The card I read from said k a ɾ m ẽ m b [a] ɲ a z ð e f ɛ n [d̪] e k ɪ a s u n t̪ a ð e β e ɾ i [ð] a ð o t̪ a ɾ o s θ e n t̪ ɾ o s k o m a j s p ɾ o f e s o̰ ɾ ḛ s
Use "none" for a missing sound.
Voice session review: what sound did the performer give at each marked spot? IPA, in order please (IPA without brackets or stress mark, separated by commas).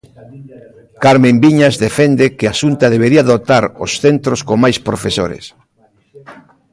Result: i, d̪, none